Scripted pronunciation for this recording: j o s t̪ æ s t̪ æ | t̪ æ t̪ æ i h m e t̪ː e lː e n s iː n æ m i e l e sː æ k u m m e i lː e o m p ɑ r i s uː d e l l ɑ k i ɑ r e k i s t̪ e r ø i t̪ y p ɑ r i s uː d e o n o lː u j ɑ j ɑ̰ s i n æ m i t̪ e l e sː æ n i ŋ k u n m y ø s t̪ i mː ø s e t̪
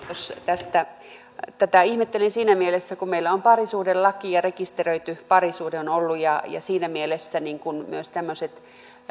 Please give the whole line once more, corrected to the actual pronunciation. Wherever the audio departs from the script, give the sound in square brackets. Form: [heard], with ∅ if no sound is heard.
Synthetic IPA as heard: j o s t̪ æ s t̪ æ | t̪ æ t̪ æ i h m e t̪ː e [l] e n s iː n æ m i e l e sː æ k u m m e i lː [æ] o m p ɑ r i s uː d e l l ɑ k i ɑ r e k i s t̪ e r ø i t̪ y p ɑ r i s uː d e o n o lː u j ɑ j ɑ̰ s [iː] n æ m i [∅] e l e sː æ n i ŋ k u n m y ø s t̪ [æ] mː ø s e t̪